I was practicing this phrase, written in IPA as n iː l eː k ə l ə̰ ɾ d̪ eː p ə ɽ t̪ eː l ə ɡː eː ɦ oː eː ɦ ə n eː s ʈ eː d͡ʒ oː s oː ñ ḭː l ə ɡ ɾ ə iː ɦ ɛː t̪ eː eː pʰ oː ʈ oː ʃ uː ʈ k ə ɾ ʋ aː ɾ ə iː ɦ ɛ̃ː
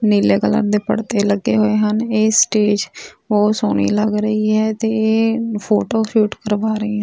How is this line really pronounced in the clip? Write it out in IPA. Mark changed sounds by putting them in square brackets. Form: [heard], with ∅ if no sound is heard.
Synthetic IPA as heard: n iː l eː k ə l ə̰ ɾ d̪ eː p ə ɽ t̪ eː l ə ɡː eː ɦ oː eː ɦ ə n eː s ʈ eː d͡ʒ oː s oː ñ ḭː l ə ɡ ɾ ə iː ɦ ɛː t̪ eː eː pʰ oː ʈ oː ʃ uː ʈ k ə ɾ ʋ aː ɾ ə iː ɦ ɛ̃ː